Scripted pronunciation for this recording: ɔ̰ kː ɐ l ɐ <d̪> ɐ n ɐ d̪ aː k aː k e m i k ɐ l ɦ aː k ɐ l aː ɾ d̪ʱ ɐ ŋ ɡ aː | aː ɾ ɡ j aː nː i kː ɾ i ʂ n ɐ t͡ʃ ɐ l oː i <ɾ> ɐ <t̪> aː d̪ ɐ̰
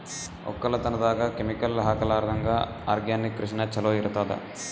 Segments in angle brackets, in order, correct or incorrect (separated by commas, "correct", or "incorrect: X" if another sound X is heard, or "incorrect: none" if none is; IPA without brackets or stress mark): incorrect: t̪, correct, correct